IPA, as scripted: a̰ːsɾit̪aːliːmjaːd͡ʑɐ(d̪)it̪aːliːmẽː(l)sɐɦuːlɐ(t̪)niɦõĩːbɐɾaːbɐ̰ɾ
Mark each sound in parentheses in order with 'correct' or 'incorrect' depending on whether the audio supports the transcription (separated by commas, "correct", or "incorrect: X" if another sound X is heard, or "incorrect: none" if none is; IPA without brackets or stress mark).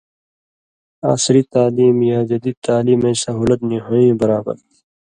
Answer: correct, incorrect: none, correct